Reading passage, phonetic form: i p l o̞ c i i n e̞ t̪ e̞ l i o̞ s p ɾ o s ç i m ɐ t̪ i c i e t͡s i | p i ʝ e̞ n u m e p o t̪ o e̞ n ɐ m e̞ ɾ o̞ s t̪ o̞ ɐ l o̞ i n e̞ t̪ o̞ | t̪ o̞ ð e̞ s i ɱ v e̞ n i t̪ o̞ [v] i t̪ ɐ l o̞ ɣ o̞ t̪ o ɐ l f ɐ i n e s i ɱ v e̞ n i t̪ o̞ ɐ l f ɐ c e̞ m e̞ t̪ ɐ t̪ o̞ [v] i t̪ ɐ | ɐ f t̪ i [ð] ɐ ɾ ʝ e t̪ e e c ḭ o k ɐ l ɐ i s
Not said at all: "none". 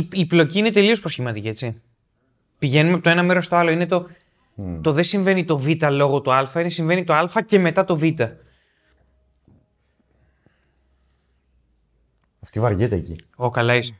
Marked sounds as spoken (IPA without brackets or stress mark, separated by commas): v, v, v